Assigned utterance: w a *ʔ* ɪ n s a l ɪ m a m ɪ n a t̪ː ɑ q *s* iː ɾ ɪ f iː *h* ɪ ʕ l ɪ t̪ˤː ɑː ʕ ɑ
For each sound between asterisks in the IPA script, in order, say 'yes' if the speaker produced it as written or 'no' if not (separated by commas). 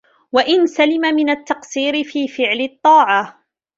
yes, yes, no